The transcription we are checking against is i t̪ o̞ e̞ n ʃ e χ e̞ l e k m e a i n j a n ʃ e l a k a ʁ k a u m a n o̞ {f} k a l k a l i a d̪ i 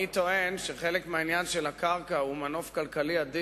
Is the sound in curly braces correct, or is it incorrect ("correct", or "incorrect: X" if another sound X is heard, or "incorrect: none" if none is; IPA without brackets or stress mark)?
correct